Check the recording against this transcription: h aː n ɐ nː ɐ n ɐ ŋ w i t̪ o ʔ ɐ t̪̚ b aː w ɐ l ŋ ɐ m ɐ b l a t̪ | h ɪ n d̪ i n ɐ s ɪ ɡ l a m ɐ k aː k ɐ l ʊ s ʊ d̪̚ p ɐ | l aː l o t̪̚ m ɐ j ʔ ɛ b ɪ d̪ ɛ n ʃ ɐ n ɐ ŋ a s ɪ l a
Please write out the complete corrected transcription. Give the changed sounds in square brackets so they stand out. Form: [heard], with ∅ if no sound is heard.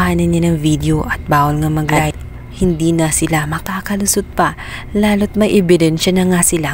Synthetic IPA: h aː n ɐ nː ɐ n ɐ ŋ [v] i [d̪] o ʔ ɐ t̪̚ b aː w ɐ l ŋ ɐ m ɐ [ɡ] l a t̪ | h ɪ n d̪ i n ɐ s ɪ [∅] l a m ɐ k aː k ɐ l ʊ s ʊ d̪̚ p ɐ | l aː l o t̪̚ m ɐ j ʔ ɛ b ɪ d̪ ɛ n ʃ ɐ n ɐ ŋ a s ɪ l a